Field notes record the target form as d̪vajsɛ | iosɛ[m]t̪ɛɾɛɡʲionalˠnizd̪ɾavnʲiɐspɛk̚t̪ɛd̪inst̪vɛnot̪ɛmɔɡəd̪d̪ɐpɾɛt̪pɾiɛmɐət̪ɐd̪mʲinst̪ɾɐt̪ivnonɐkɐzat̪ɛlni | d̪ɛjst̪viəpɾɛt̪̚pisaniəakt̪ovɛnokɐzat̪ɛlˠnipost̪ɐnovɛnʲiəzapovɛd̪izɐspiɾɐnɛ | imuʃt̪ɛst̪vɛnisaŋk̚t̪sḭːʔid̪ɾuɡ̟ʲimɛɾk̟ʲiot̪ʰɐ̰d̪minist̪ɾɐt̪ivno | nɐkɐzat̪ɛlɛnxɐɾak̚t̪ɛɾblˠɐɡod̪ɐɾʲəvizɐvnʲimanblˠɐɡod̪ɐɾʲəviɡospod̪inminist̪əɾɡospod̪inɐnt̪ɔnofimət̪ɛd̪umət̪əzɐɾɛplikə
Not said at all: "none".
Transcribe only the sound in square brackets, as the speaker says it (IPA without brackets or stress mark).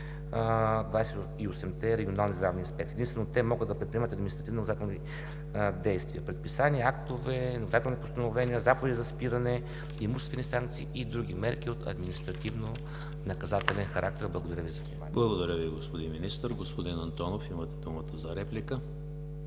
m